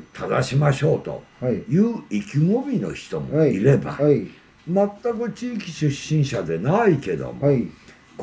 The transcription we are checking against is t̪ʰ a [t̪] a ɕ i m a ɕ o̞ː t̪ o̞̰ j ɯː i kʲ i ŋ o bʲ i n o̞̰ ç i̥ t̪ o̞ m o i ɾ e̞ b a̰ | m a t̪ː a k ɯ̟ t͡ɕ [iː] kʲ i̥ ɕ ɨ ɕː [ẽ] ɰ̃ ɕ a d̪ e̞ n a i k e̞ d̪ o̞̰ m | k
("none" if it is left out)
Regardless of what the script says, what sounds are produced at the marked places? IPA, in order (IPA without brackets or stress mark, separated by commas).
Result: d̪, iː, ĩ